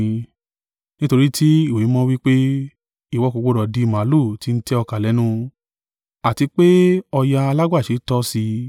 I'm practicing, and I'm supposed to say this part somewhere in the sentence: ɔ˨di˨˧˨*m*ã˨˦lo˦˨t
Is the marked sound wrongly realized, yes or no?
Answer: no